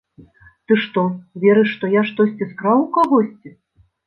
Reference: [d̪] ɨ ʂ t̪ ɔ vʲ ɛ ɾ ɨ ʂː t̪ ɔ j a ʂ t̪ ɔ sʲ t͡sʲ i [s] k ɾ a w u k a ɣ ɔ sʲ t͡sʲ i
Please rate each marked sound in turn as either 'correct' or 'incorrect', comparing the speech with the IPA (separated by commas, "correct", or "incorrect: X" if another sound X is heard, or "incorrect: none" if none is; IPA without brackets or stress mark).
incorrect: t̪, correct